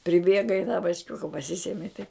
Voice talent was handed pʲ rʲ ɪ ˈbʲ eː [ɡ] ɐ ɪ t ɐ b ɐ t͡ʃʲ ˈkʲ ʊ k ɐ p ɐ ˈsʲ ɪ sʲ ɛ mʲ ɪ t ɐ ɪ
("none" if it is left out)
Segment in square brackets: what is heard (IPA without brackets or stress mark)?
ɡ